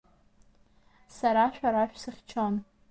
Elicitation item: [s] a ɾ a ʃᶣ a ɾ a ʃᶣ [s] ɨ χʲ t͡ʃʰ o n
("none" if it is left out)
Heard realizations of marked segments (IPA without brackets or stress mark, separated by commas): s, s